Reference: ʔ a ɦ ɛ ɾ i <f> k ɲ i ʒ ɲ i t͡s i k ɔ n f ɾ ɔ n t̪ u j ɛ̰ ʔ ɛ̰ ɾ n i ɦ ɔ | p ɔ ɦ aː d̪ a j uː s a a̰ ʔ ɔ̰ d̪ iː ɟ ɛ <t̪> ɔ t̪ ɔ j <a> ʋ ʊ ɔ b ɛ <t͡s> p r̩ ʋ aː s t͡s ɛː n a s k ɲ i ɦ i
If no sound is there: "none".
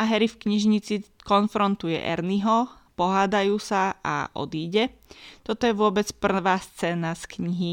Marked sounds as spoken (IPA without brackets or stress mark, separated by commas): f, t̪, ɛ, t͡s